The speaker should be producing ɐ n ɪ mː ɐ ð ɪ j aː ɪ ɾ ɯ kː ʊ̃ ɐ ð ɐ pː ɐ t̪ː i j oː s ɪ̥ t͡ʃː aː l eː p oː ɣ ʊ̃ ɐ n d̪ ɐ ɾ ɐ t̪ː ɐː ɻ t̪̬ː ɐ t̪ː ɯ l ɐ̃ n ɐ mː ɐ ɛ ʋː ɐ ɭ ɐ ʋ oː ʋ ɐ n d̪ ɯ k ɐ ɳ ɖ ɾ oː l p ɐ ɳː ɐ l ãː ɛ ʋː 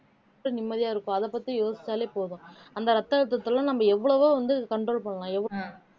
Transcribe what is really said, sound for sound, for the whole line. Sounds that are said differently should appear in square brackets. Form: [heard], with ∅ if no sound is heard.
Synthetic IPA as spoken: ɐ n ɪ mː ɐ ð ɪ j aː ɪ ɾ ɯ kː ʊ̃ ɐ ð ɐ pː ɐ t̪ː i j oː s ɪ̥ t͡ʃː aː l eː p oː [ð] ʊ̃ ɐ n d̪ ɐ ɾ ɐ t̪ː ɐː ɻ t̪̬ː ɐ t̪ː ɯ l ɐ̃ n ɐ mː ɐ ɛ ʋː ɐ ɭ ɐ ʋ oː ʋ ɐ n d̪ ɯ k ɐ ɳ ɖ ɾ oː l p ɐ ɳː ɐ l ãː ɛ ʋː